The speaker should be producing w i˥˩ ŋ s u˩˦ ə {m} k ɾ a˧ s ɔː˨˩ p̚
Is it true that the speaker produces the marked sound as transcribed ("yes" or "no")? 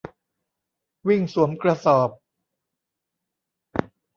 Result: yes